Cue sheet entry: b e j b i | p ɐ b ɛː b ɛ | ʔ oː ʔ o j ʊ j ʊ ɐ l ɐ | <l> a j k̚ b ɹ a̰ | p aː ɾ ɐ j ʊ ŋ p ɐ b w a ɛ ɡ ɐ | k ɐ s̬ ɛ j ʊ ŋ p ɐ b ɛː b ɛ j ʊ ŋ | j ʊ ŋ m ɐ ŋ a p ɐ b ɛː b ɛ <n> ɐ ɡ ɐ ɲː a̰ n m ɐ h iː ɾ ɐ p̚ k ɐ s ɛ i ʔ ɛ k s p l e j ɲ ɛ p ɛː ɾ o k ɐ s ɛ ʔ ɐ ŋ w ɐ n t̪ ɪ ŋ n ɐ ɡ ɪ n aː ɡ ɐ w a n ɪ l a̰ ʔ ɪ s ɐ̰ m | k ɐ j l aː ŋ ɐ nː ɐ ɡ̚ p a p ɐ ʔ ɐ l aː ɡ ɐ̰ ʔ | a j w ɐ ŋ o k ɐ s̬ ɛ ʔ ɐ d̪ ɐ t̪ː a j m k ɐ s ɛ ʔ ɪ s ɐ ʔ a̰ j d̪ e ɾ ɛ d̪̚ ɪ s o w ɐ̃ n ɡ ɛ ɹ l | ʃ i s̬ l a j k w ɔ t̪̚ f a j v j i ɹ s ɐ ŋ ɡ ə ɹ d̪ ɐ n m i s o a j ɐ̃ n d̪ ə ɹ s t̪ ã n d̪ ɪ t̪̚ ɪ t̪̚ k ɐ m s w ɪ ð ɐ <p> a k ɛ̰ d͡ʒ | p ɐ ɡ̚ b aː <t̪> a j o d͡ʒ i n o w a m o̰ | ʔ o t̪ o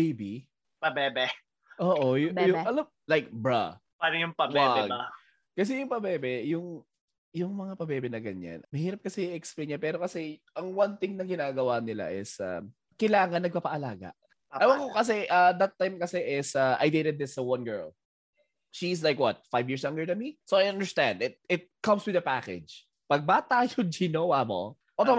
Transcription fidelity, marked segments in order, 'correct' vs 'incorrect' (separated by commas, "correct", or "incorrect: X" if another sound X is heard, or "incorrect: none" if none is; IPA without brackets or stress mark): correct, correct, correct, correct